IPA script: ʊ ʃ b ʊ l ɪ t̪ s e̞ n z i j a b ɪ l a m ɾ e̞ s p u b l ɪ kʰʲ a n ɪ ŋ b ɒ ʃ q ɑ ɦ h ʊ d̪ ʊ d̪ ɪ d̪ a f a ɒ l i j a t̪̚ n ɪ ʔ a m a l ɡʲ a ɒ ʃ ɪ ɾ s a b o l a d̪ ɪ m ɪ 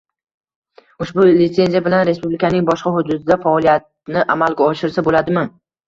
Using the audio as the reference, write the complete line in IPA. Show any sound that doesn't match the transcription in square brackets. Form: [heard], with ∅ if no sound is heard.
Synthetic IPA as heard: ʊ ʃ b ʊ l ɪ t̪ s e̞ n z i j a b ɪ l a [n] ɾ e̞ s p u b l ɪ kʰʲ a n ɪ ŋ b ɒ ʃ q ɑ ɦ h ʊ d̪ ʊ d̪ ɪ d̪ a f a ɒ l i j a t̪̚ n ɪ ʔ a m a l ɡʲ a ɒ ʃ ɪ ɾ s a b o l a d̪ ɪ m ɪ